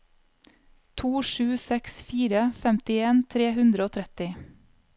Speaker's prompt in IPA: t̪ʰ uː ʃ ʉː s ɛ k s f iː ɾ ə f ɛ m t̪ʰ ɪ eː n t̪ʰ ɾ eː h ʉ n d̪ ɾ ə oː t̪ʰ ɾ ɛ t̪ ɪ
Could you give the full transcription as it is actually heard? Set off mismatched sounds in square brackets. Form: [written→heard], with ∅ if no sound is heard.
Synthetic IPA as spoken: t̪ʰ uː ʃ ʉː s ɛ k s f iː ɾ ə f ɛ m [t̪ʰ→t̪] ɪ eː n t̪ʰ ɾ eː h ʉ n d̪ ɾ ə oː t̪ʰ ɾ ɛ t̪ ɪ